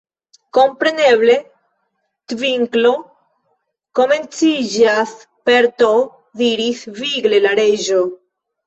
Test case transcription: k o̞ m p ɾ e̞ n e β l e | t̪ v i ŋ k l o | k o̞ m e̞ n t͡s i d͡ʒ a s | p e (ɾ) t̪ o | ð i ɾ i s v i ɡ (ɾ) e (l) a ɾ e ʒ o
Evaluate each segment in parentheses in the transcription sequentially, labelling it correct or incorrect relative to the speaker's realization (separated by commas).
correct, incorrect, correct